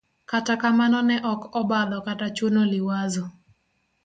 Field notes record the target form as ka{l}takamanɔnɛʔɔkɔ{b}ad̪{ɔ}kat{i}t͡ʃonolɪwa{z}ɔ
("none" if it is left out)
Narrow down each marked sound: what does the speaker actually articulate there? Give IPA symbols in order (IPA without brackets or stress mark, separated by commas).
none, b, ɔ, a, z